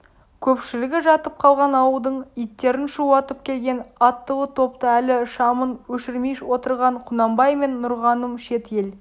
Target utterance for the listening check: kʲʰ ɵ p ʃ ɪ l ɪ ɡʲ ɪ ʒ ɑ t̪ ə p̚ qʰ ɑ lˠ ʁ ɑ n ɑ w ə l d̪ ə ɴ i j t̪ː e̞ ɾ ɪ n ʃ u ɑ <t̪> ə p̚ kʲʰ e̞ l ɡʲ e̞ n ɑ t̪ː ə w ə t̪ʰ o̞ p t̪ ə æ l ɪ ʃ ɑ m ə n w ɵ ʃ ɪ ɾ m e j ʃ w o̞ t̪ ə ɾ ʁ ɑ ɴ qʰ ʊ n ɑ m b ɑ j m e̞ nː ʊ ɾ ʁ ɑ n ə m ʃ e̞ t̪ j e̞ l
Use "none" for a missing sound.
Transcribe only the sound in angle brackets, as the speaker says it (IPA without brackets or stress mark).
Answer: t̪